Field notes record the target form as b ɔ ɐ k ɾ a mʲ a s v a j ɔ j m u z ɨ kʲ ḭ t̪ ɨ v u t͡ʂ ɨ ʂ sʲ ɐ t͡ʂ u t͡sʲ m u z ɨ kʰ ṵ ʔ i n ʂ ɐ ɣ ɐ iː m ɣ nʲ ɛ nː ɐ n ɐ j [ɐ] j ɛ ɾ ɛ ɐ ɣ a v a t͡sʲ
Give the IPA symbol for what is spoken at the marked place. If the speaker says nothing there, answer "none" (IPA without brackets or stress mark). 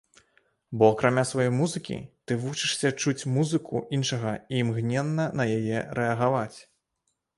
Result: a